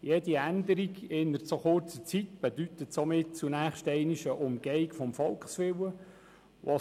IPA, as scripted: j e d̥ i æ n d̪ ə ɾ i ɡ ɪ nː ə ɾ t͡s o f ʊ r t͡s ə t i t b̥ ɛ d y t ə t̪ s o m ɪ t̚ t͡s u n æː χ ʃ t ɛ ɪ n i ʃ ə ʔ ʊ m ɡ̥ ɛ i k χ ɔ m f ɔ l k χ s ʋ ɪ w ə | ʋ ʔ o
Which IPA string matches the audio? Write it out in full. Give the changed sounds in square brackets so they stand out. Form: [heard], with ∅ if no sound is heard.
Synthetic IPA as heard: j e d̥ i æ n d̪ ə ɾ i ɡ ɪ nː ə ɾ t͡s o [χ] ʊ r t͡s ə [t͡s] i t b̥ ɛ d y t ə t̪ s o m ɪ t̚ t͡s u n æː χ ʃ t ɛ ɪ n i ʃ ə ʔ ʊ m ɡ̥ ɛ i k [f] ɔ m f ɔ l k χ s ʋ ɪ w ə | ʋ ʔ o